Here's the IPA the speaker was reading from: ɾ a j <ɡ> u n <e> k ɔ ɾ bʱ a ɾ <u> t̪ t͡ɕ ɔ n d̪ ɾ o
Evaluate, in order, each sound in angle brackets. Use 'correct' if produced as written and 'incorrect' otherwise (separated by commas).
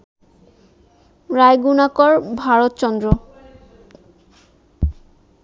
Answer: correct, incorrect, incorrect